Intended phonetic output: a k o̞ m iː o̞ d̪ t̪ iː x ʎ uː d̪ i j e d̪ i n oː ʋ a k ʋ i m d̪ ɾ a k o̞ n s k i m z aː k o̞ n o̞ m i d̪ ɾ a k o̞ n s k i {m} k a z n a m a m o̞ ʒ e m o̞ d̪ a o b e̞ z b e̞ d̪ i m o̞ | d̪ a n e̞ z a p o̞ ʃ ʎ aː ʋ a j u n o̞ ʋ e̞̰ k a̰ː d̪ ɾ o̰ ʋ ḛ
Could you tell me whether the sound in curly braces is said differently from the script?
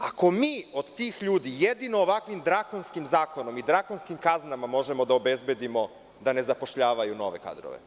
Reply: no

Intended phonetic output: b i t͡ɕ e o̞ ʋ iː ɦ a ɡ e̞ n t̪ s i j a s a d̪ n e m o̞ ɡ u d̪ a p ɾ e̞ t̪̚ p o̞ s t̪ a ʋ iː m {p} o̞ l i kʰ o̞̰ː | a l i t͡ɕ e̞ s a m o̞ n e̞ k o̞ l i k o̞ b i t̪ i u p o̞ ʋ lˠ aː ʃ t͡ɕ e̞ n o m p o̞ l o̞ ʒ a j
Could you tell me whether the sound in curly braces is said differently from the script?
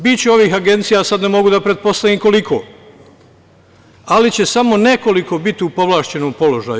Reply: yes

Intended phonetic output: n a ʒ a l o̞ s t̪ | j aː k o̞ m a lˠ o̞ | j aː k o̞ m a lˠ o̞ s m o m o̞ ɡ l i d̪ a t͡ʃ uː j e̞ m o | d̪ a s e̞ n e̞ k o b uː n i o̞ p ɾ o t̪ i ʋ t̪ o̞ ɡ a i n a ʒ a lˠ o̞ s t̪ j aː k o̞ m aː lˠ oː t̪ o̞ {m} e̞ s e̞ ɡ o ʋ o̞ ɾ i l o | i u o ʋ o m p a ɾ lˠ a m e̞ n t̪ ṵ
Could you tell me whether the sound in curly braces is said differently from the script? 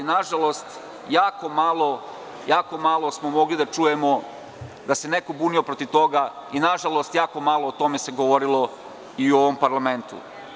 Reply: no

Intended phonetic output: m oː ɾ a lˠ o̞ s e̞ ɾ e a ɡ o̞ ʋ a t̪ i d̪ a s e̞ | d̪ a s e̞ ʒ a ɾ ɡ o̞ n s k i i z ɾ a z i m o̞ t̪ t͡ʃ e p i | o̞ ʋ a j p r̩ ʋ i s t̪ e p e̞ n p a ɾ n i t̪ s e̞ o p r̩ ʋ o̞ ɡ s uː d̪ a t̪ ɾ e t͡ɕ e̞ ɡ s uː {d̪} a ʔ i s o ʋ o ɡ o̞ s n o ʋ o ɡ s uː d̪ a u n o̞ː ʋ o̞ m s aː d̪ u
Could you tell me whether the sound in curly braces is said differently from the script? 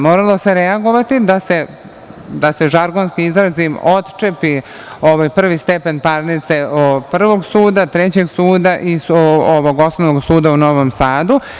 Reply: no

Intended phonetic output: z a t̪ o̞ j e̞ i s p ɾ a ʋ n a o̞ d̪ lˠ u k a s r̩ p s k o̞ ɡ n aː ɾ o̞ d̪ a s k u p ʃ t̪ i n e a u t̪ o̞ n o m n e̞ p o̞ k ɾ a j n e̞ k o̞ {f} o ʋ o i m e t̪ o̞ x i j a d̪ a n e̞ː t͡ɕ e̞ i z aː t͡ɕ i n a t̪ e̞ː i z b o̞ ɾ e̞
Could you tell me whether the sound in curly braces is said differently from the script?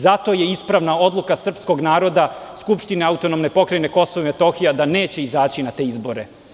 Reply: yes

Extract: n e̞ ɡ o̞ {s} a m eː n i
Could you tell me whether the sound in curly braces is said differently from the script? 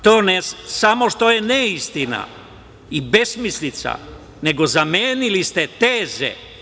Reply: yes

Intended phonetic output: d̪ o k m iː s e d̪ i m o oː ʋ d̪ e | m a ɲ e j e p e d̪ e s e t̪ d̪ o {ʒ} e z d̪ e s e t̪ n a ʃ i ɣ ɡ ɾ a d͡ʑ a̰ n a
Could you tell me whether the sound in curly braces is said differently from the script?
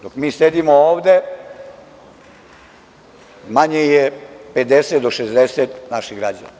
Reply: yes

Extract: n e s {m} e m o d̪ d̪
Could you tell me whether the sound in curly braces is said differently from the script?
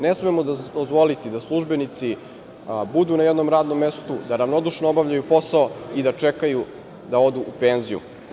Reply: no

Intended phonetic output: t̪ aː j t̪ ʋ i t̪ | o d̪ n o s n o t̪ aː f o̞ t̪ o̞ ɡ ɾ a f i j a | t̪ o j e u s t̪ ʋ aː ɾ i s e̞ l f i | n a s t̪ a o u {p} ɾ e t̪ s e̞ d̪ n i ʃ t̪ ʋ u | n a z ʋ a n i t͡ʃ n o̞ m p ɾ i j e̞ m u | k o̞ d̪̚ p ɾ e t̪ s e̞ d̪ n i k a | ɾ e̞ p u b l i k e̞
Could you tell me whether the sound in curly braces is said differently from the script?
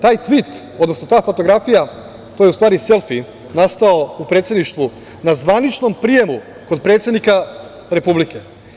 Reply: no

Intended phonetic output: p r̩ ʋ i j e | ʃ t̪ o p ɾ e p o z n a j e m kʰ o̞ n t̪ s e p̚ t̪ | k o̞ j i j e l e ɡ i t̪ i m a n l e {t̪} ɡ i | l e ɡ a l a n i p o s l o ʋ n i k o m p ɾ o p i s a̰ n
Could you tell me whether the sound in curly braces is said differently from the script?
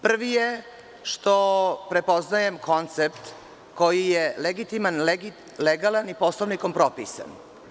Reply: yes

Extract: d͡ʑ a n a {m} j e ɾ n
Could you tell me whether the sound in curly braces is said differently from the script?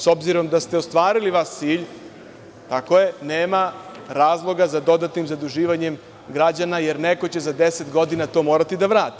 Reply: yes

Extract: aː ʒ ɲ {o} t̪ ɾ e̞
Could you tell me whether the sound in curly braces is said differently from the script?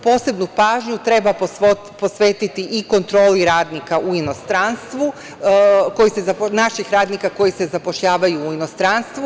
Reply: yes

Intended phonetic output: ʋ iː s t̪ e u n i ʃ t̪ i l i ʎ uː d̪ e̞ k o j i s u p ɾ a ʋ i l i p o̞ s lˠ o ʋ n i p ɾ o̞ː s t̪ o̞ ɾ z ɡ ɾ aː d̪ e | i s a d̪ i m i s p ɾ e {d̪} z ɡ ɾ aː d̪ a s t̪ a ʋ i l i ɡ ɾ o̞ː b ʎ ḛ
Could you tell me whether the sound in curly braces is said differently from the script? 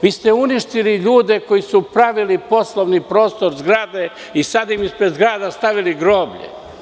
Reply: no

